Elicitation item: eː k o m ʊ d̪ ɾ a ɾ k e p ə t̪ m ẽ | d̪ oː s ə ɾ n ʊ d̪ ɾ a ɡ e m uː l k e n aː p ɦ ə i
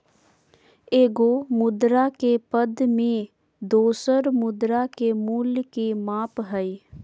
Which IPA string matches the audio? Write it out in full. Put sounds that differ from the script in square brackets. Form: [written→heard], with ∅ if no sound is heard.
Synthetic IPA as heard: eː [k→ɡ] o m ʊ d̪ ɾ a [ɾ→∅] k e p ə [t̪→d̪] m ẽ | d̪ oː s ə ɾ [n→m] ʊ d̪ ɾ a [ɡ→k] e m uː l k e [n→m] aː p ɦ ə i